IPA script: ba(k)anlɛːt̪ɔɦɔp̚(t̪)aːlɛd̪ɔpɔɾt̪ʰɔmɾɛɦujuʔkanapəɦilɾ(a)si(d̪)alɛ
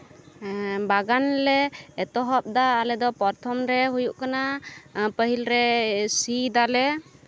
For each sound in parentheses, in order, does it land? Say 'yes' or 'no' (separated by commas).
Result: no, no, no, yes